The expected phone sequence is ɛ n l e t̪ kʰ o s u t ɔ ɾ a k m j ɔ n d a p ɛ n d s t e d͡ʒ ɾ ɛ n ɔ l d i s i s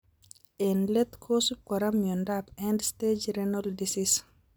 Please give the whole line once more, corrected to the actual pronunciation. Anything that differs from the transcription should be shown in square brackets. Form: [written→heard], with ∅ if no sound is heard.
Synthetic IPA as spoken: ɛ n l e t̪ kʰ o s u [t→k] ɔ ɾ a [k→∅] m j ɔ n d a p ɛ n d s t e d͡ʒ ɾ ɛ n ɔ l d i s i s